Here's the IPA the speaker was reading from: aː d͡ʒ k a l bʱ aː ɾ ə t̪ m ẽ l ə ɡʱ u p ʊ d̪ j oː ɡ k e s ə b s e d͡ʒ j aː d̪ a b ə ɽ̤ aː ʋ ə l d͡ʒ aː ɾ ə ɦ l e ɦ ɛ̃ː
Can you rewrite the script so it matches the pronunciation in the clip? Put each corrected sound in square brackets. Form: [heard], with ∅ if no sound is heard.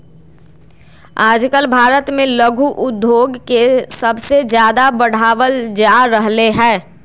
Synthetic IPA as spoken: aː d͡ʒ k [ə] l bʱ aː ɾ ə t̪ m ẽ l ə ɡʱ u [ʔ] ʊ d̪ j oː ɡ k e s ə b s e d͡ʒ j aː d̪ a b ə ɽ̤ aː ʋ ə l d͡ʒ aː ɾ ə ɦ l e ɦ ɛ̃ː

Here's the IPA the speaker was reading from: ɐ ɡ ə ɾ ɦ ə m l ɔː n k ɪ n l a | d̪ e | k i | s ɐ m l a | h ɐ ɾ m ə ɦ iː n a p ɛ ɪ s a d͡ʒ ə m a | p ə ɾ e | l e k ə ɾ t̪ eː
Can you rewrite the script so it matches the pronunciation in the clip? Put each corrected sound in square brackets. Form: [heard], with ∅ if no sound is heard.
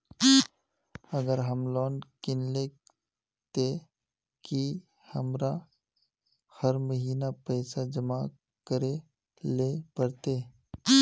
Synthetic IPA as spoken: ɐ ɡ ə ɾ ɦ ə m l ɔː n k ɪ n l [e] | [t̪] e | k i | [h] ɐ m [ɾ] a | h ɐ ɾ m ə ɦ iː n a p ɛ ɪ s a d͡ʒ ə m a | [k] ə ɾ e | l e [p] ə ɾ t̪ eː

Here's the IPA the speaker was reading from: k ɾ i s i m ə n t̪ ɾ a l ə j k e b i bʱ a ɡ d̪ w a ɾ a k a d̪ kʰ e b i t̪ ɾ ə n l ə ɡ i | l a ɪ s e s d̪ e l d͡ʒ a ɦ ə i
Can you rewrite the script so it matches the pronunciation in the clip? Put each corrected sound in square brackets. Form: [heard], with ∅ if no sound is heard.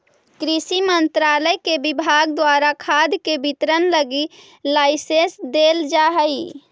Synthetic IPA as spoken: k ɾ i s i m ə n t̪ ɾ a l ə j k e b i bʱ a ɡ d̪ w a ɾ a [kʰ] a d̪ [k] e b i t̪ ɾ ə n l ə ɡ i | l a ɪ s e s d̪ e l d͡ʒ a ɦ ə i

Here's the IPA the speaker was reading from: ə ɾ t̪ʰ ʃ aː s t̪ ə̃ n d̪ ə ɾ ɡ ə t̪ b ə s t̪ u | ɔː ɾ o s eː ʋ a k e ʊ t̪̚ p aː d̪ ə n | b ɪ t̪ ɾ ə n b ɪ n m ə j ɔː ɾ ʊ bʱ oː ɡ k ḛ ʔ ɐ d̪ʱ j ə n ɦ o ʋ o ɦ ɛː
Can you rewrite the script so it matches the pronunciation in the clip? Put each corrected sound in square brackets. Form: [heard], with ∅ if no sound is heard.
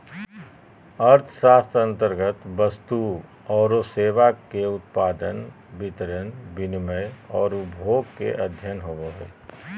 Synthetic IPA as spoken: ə ɾ t̪ʰ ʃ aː s t̪ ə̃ n [t̪] ə ɾ ɡ ə t̪ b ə s t̪ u | ɔː ɾ o s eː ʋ a k e ʊ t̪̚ p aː d̪ ə n | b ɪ t̪ ɾ ə n b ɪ n m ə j ɔː ɾ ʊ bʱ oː ɡ k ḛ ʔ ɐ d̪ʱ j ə n ɦ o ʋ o ɦ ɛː

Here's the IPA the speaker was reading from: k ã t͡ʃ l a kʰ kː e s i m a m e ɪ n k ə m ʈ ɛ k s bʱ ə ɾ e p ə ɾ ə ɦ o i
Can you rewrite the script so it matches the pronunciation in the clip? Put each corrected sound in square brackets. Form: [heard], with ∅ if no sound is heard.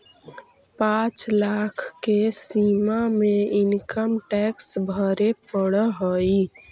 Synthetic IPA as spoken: [p] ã t͡ʃ l a kʰ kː e s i m a m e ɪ n k ə m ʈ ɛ k s bʱ ə ɾ e p ə [ɽ] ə ɦ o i

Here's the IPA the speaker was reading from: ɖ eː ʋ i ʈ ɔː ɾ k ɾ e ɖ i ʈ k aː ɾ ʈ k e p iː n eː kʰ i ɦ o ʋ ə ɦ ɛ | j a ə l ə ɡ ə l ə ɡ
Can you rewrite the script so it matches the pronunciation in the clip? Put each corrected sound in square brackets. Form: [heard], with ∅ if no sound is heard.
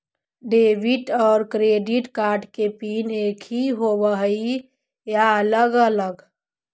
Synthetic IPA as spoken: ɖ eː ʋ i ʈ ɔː ɾ k ɾ e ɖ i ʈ k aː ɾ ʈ k e p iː n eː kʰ i ɦ o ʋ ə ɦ [i] | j a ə l ə ɡ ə l ə ɡ

